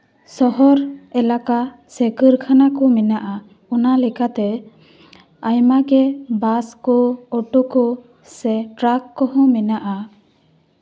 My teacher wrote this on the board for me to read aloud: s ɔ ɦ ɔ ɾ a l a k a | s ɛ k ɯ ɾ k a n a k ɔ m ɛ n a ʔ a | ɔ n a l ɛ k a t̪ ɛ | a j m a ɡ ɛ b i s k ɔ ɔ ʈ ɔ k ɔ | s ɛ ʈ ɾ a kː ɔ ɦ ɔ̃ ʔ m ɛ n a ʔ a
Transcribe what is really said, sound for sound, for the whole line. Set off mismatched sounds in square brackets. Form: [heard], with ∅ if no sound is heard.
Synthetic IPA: s ɔ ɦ ɔ ɾ [ɛ] l a k a | s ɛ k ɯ ɾ [kʰ] a n a k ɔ m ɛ n a ʔ a | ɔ n a l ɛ k a t̪ ɛ | a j m a ɡ ɛ b [a] s k ɔ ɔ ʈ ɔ k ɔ | s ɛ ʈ ɾ a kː ɔ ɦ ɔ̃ [∅] m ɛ n a ʔ a